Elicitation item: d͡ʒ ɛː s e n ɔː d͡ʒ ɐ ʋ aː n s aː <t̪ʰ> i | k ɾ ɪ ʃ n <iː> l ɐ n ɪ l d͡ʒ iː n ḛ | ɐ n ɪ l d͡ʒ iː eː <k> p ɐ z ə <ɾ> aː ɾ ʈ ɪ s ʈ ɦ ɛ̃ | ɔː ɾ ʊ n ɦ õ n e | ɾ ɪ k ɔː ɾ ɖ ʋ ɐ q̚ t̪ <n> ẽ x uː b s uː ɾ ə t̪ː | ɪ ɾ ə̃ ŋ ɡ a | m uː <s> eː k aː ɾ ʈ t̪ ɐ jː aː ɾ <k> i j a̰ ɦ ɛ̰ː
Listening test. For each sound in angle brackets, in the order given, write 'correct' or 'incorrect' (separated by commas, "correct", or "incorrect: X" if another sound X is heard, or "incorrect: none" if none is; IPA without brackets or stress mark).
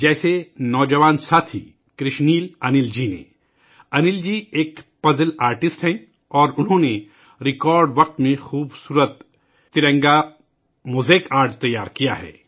correct, correct, correct, incorrect: l, incorrect: m, incorrect: z, correct